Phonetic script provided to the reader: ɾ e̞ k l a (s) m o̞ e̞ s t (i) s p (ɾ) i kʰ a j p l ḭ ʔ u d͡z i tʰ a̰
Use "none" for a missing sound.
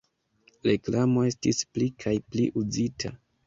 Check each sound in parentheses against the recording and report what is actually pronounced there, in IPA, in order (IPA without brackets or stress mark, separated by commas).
none, i, l